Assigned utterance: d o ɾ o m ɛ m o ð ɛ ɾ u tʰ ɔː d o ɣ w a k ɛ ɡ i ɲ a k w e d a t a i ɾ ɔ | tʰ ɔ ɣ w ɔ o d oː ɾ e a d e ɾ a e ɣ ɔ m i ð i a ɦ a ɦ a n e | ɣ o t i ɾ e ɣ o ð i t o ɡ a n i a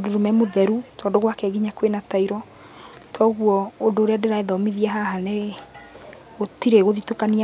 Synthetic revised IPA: d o ɾ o m ɛ m o ð ɛ ɾ u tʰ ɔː d o ɣ w a k ɛ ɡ i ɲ a k w e n a t a i ɾ ɔ | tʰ ɔ ɣ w ɔ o d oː ɾ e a d e ɾ a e ð ɔ m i ð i a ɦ a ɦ a n e | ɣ o t i ɾ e ɣ o ð i t o k a n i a